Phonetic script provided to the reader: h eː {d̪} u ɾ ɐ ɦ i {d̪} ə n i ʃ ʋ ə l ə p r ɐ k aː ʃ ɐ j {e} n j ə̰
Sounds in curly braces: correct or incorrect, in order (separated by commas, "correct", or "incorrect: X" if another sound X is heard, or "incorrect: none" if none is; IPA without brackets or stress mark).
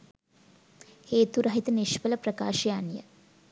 incorrect: t̪, incorrect: t̪, incorrect: a